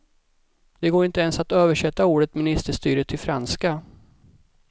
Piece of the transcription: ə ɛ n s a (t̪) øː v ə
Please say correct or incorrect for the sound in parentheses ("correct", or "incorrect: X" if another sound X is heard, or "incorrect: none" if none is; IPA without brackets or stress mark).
correct